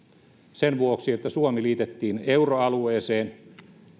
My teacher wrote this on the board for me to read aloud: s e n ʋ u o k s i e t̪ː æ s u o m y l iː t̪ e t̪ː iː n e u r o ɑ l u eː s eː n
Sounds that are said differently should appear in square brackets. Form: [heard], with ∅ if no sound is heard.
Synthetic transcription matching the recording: s e n ʋ u o k s i e t̪ː æ s u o m [i] l iː t̪ e t̪ː iː n e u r o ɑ l u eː s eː n